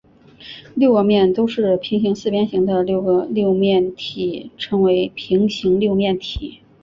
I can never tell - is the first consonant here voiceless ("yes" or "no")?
no